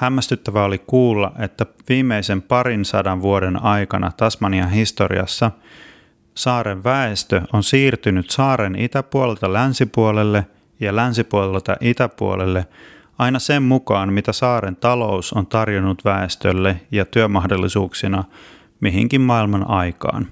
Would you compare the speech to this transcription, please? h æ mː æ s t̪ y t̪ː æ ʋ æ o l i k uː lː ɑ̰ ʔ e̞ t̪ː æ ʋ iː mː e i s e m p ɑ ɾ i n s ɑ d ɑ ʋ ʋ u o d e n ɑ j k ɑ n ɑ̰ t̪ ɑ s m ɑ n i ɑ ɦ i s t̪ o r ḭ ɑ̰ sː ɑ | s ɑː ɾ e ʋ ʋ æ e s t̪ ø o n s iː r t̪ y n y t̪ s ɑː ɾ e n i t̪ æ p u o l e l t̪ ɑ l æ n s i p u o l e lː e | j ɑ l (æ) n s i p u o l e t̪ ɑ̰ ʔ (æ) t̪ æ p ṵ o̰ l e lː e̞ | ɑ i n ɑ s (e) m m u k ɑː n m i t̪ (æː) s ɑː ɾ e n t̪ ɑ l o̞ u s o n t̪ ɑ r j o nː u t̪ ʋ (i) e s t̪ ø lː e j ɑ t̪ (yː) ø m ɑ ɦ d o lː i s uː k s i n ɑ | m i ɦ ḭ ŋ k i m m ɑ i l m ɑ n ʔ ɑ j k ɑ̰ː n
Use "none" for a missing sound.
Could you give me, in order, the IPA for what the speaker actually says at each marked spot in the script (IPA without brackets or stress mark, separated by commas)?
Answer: æ, i, e, æ, æ, y